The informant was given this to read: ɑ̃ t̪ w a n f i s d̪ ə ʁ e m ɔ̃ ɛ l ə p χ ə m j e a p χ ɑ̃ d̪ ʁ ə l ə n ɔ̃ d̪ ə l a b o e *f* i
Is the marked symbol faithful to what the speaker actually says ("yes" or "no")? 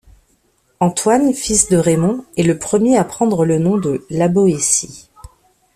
no